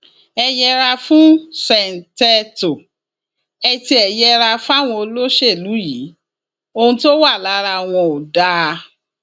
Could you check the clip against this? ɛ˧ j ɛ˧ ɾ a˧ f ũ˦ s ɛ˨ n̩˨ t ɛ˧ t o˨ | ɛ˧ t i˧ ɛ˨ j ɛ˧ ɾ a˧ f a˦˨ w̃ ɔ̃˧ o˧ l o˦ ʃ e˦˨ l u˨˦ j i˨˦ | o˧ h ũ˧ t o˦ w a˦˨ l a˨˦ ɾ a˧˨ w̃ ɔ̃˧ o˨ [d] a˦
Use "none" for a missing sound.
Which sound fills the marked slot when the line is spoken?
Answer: d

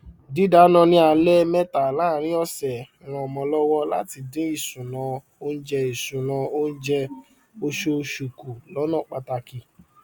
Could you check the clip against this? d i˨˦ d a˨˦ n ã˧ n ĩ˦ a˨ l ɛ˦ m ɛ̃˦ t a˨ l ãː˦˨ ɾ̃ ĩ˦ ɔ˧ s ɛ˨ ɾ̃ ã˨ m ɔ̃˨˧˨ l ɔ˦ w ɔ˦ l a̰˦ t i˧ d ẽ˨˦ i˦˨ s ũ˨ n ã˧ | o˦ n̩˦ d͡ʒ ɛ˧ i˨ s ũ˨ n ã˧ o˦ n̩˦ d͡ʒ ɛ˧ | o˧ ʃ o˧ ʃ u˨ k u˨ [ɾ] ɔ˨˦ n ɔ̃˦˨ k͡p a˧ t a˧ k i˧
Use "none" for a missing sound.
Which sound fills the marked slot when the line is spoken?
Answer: l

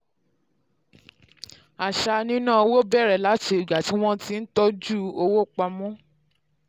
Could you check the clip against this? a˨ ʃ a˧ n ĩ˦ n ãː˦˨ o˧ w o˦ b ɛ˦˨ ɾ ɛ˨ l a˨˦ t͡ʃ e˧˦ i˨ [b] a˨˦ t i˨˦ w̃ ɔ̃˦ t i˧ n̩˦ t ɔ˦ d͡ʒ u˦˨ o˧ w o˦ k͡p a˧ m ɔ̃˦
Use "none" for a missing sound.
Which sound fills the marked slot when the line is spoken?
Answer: ɡ͡b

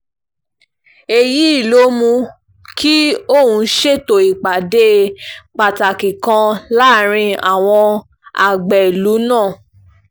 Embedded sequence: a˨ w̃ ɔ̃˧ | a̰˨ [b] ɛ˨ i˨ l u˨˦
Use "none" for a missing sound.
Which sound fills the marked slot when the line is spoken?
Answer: ɡ͡b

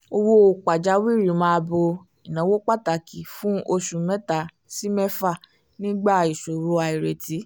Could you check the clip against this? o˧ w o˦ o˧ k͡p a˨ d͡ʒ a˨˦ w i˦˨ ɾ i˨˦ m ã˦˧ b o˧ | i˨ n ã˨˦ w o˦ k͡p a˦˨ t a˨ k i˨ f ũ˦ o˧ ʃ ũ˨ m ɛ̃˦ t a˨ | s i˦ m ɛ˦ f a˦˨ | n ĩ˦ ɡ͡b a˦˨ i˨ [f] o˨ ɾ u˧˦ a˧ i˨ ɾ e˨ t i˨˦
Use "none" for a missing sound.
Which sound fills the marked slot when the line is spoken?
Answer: ʃ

